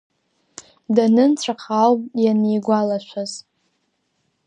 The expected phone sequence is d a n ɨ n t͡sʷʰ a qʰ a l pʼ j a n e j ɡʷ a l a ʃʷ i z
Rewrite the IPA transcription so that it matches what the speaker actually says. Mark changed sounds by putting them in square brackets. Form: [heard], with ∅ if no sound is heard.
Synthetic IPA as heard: d a n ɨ n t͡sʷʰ a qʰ a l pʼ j a n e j ɡʷ a l a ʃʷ [a] z